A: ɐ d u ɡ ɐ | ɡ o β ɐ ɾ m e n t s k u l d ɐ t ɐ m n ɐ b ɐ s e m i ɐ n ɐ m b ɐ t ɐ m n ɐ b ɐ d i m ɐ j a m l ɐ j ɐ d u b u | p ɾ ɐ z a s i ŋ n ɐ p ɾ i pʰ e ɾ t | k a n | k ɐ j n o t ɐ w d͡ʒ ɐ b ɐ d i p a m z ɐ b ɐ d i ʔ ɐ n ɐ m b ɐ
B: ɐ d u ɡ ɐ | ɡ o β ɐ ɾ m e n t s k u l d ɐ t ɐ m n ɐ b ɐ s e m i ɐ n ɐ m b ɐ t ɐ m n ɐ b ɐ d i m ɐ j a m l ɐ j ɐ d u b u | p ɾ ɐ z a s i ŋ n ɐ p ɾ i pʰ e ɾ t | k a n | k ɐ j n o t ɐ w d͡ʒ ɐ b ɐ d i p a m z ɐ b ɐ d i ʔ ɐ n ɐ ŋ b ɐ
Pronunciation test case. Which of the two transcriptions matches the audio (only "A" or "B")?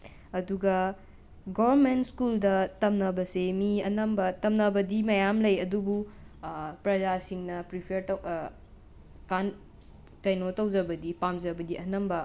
A